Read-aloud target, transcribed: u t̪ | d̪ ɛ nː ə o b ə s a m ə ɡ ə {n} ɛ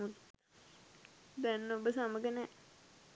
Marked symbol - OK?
yes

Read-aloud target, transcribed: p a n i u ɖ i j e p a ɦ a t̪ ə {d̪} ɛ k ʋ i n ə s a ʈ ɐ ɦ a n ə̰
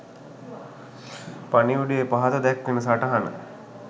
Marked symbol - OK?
yes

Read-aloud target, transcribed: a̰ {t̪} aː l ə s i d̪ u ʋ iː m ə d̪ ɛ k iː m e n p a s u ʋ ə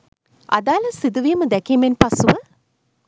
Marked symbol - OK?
no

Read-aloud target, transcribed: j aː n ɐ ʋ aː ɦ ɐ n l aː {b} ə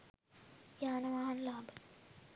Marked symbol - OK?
yes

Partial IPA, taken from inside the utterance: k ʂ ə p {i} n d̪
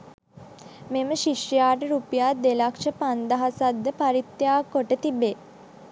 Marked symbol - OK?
no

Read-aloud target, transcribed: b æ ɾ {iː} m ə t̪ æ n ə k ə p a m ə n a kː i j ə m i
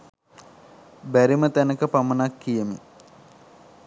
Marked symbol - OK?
no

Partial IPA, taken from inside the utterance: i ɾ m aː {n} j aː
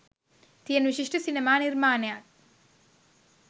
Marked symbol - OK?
yes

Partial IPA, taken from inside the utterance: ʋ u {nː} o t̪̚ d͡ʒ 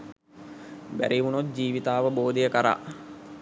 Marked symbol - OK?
no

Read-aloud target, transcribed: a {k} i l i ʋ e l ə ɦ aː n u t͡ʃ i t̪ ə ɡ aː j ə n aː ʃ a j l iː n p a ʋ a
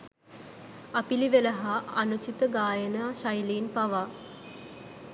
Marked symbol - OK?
no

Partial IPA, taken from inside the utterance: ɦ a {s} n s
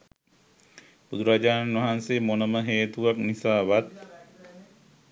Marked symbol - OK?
no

